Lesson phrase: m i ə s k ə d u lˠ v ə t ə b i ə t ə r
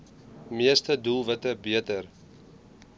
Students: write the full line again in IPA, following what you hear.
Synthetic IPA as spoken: m i ə s t ə d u lˠ v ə t ə b i ə t ə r